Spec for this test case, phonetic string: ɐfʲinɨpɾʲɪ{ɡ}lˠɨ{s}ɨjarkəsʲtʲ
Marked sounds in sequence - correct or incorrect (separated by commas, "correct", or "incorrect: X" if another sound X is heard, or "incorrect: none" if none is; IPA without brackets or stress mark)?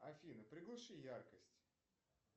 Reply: correct, incorrect: ʂ